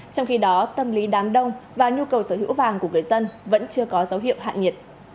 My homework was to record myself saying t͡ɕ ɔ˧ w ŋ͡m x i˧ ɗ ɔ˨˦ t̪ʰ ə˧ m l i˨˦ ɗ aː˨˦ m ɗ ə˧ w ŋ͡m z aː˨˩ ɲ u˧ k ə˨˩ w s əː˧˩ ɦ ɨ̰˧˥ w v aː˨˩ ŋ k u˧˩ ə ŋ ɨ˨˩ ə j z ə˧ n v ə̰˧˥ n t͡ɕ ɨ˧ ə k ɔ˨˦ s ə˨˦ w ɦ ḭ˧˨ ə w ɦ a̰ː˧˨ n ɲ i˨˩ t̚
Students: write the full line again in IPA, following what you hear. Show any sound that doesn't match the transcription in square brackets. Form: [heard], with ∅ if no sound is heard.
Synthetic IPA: t͡ɕ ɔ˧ w ŋ͡m x i˧ ɗ ɔ˨˦ [t̪] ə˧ m l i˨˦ ɗ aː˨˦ m ɗ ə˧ w ŋ͡m [v] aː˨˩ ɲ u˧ k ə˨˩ w s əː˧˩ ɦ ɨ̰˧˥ w v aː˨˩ ŋ k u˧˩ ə ŋ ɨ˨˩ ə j z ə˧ n v ə̰˧˥ n t͡ɕ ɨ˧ ə k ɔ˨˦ [z] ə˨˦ w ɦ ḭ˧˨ ə w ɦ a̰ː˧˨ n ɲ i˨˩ t̚